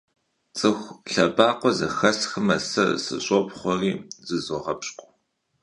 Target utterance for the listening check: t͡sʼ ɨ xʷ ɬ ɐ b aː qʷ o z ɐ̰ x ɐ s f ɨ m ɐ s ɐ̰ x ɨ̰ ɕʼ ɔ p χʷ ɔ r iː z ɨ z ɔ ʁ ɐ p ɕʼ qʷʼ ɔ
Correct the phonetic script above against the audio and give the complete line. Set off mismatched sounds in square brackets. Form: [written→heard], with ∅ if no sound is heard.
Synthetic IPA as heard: t͡sʼ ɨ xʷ ɬ ɐ b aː qʷ [o→ɔ] z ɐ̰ x ɐ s [f→x] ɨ m ɐ s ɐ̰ [x→s] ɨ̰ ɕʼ ɔ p χʷ ɔ r iː z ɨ z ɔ ʁ ɐ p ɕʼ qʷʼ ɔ